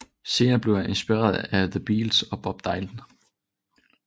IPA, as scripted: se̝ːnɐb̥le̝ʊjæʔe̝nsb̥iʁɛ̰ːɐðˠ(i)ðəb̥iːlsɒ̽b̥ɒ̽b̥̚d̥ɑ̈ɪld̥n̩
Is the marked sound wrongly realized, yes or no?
yes